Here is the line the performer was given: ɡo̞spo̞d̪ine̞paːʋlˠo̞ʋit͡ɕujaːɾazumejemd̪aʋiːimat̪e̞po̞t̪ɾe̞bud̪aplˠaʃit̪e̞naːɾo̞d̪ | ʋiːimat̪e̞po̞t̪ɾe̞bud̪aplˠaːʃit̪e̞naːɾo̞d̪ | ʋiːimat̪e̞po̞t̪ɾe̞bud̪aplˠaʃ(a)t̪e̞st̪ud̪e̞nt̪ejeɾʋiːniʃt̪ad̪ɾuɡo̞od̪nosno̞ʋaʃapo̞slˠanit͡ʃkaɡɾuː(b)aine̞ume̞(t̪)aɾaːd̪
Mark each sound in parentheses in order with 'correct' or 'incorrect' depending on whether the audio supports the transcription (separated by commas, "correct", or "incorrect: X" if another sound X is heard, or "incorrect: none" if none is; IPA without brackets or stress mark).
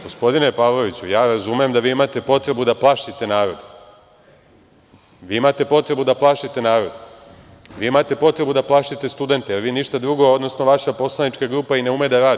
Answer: incorrect: i, incorrect: p, incorrect: d̪